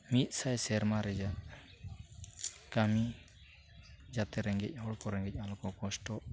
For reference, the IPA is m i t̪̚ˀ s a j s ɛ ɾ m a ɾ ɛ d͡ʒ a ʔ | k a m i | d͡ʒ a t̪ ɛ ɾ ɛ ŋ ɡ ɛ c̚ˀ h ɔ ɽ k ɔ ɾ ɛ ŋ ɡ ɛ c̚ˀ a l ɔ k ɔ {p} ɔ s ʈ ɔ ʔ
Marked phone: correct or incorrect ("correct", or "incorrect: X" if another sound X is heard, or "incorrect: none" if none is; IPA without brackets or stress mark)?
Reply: incorrect: k